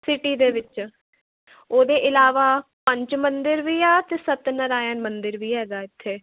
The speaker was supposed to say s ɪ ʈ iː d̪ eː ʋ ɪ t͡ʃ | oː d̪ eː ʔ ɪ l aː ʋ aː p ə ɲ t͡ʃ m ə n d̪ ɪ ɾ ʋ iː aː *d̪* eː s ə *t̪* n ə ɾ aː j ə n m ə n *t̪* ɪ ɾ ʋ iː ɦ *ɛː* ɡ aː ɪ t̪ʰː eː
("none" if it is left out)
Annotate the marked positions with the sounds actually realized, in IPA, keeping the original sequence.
t̪, t̪, d̪, ɛː

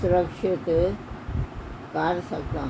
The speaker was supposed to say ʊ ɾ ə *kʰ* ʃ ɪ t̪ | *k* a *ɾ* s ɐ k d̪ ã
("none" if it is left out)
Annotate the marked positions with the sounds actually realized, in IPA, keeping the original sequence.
k, k, ɾ

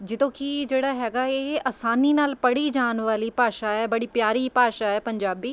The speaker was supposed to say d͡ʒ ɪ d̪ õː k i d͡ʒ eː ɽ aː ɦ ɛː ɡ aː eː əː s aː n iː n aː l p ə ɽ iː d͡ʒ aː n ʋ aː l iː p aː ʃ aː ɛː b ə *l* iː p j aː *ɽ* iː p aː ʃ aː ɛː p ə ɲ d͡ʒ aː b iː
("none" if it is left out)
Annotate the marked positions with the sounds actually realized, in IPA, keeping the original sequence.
ɽ, ɾ

